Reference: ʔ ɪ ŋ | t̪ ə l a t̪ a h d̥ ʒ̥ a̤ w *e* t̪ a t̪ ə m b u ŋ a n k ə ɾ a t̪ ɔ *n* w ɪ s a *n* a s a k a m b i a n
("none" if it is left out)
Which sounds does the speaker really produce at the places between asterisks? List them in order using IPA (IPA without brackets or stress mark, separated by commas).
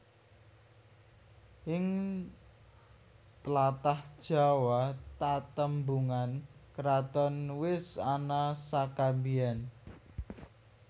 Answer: a, n, n